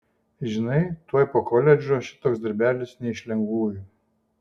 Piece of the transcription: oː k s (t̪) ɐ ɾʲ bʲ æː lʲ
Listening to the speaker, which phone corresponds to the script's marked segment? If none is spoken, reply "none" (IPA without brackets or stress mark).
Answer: d̪